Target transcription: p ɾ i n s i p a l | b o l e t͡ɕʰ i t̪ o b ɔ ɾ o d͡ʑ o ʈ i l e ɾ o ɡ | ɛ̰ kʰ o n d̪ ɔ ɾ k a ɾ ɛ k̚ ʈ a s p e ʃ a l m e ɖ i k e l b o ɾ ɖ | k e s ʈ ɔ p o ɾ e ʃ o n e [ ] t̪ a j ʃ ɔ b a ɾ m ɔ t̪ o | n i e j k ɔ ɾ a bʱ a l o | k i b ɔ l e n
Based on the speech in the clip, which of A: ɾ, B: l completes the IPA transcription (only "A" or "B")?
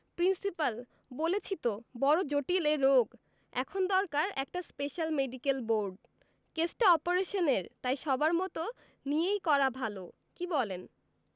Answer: A